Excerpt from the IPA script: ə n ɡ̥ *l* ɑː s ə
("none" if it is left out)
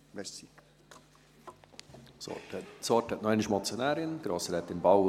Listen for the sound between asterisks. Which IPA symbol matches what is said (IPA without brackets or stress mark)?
ɾ